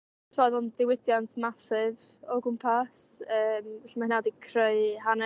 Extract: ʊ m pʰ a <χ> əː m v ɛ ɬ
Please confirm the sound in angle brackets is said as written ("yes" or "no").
no